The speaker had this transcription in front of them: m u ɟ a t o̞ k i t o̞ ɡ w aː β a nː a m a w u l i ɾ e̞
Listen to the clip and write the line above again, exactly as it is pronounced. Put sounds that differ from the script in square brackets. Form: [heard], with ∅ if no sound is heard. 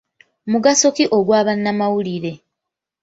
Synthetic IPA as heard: m u [ɡ] a [s] o̞ k i [ʔ] o̞ ɡ w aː β a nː a m a w u l i ɾ e̞